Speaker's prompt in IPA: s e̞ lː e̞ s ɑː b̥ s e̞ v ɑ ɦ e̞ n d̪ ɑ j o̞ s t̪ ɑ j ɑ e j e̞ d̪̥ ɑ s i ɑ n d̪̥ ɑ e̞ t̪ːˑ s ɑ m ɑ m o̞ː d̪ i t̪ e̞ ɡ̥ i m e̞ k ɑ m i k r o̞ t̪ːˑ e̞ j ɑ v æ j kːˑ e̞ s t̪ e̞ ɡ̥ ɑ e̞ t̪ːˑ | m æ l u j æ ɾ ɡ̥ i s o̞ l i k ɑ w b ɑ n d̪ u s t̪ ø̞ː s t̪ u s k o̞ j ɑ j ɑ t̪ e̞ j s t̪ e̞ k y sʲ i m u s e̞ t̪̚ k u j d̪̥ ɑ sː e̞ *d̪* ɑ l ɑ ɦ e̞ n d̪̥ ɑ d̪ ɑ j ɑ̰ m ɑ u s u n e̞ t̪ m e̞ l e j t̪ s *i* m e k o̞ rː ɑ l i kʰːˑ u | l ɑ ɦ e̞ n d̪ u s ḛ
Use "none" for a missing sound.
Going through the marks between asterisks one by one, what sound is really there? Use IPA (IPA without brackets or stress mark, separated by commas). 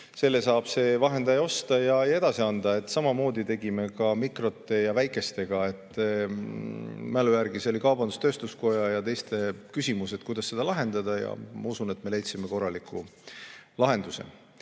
d̪, i